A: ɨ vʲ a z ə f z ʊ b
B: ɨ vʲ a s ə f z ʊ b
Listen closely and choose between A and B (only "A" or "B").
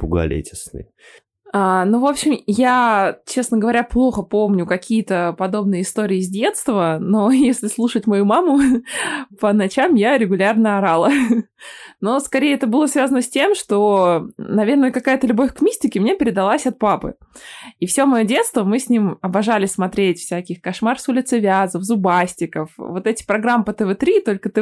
A